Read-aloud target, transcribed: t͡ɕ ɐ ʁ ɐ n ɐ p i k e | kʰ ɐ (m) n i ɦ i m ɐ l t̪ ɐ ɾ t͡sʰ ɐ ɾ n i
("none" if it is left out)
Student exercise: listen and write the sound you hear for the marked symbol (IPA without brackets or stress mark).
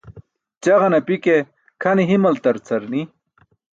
none